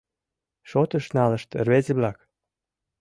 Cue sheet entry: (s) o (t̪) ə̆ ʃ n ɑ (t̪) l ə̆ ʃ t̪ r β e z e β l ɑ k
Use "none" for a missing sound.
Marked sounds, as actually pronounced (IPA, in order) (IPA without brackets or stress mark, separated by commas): ʃ, t̪, none